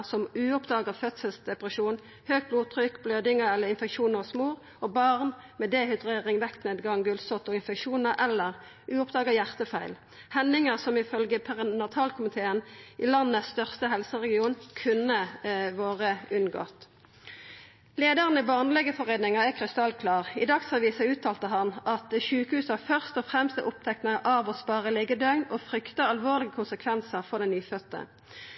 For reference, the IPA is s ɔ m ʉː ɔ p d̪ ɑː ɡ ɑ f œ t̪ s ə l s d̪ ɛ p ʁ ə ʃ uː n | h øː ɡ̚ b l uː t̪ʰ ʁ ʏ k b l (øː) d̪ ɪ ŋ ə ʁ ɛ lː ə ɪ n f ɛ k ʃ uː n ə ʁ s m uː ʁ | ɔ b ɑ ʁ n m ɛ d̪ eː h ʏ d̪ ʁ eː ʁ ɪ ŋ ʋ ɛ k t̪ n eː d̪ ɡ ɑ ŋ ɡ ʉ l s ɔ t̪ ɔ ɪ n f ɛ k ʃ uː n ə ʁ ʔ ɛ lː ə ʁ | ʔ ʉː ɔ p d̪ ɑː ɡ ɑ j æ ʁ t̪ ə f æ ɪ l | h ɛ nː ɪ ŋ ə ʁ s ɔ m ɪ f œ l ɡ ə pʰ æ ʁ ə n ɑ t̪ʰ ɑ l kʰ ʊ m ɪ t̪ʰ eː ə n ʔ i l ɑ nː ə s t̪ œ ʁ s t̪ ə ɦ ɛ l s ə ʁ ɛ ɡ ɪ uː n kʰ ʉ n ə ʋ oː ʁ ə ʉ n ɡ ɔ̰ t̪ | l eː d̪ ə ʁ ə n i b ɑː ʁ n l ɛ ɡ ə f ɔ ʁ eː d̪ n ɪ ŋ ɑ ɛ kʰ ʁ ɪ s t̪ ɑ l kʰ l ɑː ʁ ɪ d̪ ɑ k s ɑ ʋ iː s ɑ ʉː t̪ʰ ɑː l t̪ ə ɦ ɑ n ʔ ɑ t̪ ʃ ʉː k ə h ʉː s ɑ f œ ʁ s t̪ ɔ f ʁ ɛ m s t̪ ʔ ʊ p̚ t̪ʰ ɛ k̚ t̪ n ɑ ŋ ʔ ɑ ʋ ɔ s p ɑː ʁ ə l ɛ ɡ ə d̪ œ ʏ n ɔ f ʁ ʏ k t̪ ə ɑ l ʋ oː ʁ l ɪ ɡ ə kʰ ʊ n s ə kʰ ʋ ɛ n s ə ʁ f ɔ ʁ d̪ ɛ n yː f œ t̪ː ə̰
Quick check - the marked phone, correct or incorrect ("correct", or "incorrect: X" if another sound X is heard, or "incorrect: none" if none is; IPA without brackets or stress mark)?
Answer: correct